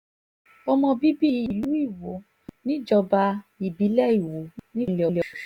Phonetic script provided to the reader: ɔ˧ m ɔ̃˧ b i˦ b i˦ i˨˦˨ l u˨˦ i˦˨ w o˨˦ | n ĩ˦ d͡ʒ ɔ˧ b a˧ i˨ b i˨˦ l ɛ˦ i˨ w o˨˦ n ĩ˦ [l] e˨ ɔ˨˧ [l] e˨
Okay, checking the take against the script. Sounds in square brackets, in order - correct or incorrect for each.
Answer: correct, correct

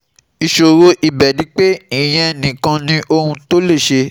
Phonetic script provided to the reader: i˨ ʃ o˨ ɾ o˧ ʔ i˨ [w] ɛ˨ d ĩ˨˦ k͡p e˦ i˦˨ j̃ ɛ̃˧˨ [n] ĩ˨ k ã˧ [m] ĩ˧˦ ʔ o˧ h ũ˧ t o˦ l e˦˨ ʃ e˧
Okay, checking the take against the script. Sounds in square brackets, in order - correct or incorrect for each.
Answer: incorrect, correct, incorrect

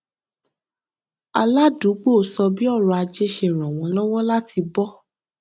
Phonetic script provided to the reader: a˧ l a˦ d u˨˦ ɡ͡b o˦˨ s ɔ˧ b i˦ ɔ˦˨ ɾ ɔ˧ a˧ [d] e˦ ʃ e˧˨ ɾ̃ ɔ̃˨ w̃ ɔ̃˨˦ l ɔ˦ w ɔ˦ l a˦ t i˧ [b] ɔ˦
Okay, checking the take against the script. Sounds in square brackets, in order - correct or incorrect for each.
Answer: incorrect, correct

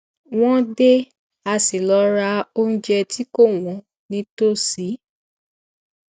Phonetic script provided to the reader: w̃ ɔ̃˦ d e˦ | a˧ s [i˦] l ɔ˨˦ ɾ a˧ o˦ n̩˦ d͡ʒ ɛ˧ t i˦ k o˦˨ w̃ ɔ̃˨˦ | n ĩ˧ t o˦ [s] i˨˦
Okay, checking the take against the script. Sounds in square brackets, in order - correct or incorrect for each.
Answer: incorrect, correct

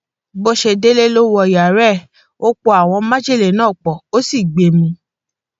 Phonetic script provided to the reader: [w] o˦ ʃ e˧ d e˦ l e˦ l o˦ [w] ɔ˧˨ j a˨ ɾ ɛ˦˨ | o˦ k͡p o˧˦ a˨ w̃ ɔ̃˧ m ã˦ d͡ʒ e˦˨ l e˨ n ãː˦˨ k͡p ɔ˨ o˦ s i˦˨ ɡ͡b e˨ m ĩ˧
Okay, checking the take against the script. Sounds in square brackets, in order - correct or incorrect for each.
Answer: incorrect, correct

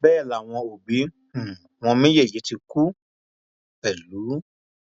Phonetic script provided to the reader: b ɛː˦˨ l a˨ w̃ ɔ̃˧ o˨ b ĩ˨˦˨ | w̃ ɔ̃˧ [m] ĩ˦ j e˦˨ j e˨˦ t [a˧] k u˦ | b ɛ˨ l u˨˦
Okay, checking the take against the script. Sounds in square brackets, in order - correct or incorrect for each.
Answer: correct, incorrect

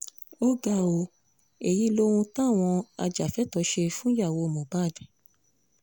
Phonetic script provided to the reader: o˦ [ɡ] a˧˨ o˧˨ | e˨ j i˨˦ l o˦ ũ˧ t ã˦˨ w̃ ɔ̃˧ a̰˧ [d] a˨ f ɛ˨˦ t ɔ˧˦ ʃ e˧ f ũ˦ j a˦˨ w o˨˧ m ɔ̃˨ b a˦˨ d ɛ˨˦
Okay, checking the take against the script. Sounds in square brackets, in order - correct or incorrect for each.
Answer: correct, incorrect

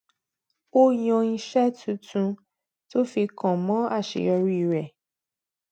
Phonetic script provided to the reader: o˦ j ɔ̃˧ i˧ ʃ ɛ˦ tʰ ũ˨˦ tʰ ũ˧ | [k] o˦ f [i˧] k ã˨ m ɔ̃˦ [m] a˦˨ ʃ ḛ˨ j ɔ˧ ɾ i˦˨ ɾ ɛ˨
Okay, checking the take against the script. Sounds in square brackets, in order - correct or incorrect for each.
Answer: incorrect, correct, incorrect

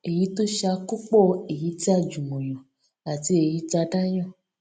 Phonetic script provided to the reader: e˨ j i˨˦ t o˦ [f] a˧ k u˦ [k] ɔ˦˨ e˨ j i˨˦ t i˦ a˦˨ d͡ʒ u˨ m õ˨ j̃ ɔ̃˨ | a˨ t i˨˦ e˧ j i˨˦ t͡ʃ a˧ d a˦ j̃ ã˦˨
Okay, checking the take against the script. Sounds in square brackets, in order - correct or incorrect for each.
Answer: incorrect, incorrect

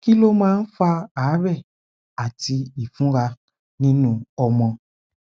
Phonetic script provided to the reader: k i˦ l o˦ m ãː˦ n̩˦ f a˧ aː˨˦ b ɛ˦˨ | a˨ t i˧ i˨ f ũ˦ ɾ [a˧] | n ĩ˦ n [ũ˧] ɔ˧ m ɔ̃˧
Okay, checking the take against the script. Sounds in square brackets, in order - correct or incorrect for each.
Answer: correct, correct

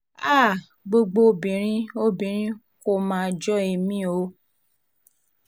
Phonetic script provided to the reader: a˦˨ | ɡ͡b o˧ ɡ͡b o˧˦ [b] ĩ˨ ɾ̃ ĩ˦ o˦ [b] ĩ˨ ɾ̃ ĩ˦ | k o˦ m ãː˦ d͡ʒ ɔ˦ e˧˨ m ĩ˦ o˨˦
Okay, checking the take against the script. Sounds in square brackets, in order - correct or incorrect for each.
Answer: correct, correct

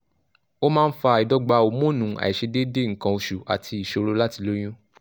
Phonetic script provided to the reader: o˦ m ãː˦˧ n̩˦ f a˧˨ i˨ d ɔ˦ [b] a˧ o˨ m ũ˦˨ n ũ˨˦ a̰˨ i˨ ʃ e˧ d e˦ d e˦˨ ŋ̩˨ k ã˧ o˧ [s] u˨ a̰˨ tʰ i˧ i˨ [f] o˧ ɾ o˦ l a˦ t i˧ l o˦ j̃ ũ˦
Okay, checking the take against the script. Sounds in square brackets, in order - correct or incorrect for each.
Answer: incorrect, incorrect, incorrect

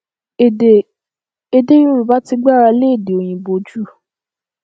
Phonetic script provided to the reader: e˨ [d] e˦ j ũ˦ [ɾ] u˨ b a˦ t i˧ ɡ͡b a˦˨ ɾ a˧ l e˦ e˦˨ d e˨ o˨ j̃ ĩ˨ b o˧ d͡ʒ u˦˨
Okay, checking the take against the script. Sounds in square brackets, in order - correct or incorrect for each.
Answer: correct, correct

